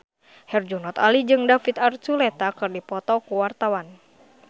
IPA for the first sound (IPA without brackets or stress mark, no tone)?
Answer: h